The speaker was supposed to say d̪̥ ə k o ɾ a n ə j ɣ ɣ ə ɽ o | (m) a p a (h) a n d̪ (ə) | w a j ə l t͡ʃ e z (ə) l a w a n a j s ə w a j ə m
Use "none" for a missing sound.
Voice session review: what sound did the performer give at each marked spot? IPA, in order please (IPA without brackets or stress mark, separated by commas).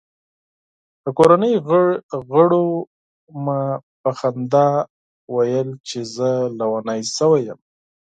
m, x, ɑ, ə